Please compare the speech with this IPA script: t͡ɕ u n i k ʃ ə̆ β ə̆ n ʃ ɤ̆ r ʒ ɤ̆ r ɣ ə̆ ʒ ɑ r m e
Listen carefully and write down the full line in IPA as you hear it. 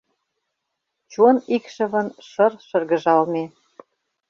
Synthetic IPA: t͡ɕ u n i k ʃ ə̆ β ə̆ n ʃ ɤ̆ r ʃ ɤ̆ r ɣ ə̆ ʒ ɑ l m e